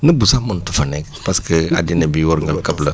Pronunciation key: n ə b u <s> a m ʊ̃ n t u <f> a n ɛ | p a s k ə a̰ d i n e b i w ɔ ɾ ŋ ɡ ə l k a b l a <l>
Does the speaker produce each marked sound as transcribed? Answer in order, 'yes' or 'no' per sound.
yes, yes, no

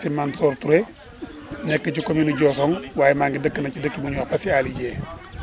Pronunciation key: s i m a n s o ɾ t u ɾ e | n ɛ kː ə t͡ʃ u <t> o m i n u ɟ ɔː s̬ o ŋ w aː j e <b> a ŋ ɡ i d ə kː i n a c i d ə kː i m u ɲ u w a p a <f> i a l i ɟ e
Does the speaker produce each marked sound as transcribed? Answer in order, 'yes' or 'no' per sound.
no, no, no

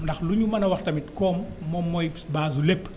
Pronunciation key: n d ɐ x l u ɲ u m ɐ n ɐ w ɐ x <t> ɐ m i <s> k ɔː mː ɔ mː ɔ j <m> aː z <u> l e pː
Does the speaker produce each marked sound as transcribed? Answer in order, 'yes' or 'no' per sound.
yes, no, no, yes

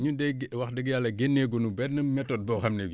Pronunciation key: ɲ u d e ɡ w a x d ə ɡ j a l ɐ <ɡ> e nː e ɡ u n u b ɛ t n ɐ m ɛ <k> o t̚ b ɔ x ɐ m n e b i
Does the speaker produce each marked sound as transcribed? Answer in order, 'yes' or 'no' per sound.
yes, no

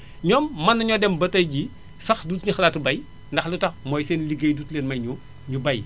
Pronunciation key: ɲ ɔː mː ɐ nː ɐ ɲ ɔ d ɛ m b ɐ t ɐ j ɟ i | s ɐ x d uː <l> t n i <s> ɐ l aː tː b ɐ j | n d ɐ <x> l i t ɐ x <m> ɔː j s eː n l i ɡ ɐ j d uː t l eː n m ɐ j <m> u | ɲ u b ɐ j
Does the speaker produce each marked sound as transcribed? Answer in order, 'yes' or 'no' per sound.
no, no, yes, yes, no

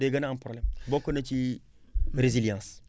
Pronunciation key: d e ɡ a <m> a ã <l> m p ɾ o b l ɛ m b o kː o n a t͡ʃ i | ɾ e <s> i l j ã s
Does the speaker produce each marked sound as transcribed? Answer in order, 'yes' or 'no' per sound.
no, no, no

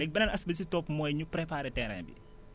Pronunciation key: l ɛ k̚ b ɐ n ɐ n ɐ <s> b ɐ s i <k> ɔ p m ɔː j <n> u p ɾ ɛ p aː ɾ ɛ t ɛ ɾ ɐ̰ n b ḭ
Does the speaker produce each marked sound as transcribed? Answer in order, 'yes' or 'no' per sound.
yes, no, no

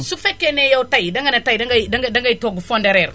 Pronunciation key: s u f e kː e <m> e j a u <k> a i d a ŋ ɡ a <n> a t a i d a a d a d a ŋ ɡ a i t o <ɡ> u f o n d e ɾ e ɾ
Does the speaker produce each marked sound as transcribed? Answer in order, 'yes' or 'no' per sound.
no, no, yes, yes

